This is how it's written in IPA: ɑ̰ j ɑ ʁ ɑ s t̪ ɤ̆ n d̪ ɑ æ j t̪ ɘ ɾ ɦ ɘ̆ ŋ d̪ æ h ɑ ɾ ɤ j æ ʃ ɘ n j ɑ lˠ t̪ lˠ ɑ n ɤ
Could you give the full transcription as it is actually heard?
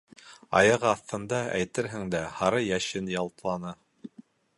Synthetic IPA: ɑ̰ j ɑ ʁ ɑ θ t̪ ɤ̆ n d̪ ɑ æ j t̪ ɘ ɾ ɦ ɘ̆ ŋ d̪ æ h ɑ ɾ ɤ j æ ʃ ɘ n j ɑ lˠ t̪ lˠ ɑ n ɤ